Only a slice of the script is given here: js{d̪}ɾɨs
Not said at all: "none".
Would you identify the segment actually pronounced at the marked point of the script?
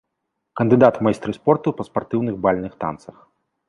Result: t̪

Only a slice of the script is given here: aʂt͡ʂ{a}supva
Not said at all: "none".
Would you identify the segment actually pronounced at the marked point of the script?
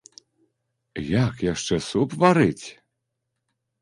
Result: ɛ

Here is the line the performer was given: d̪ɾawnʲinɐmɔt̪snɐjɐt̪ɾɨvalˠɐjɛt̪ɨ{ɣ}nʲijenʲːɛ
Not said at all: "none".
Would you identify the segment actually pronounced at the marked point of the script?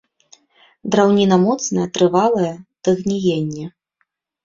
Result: ɣ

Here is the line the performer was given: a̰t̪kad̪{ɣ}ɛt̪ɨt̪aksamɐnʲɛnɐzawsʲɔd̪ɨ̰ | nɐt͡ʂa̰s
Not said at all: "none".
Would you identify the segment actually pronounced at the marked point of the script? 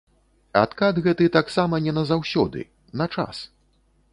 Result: ɣ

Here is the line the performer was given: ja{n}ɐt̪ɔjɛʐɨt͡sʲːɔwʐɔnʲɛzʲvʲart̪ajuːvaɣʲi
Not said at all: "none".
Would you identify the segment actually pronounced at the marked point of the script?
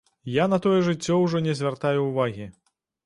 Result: n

